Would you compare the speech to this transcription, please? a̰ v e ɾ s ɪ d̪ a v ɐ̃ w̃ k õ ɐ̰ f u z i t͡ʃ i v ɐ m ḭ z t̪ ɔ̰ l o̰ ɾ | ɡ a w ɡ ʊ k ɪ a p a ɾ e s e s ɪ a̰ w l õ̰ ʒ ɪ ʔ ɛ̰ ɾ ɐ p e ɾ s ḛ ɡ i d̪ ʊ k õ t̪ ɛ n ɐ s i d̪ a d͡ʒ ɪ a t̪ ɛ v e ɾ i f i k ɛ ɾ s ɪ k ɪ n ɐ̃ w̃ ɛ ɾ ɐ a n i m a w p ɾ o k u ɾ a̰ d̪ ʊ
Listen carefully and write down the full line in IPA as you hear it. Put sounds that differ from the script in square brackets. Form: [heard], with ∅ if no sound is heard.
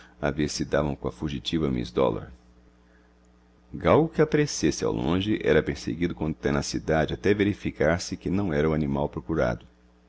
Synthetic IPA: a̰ v e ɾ s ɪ d̪ a v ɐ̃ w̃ k õ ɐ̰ f u [ʒ] i t͡ʃ i v ɐ m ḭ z [d̪] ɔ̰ l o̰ ɾ | ɡ a w ɡ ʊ k ɪ a p a ɾ e s e s ɪ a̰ w l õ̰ ʒ ɪ ʔ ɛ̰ ɾ ɐ p e ɾ s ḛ ɡ i d̪ ʊ k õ t̪ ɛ n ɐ s i d̪ a d͡ʒ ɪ a t̪ ɛ v e ɾ i f i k [a] ɾ s ɪ k ɪ n ɐ̃ w̃ ɛ ɾ ɐ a n i m a w p ɾ o k u ɾ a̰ d̪ ʊ